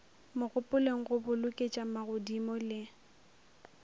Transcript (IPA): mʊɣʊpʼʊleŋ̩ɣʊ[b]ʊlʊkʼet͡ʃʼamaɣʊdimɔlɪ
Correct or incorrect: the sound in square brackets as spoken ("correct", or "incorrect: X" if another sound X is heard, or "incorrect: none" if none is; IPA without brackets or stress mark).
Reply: correct